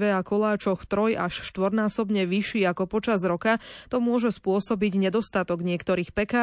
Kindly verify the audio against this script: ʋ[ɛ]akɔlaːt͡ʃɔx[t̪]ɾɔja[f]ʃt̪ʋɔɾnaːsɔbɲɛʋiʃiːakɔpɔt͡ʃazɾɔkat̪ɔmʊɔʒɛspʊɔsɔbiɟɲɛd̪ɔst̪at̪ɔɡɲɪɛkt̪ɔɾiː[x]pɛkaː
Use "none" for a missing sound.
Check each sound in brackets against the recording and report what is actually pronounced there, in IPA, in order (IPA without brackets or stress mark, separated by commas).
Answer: ɛ, t̪, ʃ, x